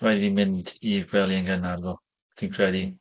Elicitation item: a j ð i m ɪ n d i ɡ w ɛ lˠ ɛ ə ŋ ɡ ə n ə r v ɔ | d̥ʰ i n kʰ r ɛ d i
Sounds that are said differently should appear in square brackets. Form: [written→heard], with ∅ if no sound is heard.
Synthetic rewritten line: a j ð i m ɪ n d i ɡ w ɛ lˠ [ɛ→i] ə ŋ ɡ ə n [ə→a] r [v→ð] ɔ | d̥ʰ i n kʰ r ɛ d i